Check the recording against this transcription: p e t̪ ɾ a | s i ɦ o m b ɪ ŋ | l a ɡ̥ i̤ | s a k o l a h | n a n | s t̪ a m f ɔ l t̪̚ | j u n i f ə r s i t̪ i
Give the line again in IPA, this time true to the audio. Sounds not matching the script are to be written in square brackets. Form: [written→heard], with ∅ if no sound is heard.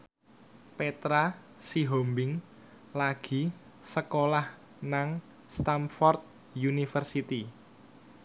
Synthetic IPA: p e t̪ ɾ a | s i ɦ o m b ɪ ŋ | l a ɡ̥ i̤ | s [a→ə] k o l a h | n a [n→ŋ] | s t̪ a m f ɔ [l→r] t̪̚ | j u n i f ə r s i t̪ i